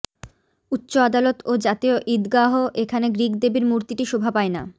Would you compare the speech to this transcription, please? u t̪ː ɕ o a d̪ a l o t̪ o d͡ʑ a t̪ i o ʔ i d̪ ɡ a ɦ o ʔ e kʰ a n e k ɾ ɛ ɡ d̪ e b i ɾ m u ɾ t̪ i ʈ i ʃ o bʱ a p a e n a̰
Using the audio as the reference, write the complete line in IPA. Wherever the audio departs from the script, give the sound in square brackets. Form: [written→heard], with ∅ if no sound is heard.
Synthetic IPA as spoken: u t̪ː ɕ o a d̪ a l o t̪ o d͡ʑ a t̪ i o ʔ i d̪ ɡ a ɦ o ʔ e kʰ a n e [k→ɡ] ɾ [ɛ→i] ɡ d̪ e b i ɾ m u ɾ t̪ i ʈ i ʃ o bʱ a p a e n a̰